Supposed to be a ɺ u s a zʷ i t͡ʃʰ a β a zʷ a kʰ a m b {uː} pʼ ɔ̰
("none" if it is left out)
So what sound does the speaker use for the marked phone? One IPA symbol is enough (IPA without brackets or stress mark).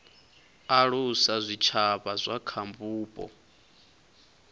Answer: uː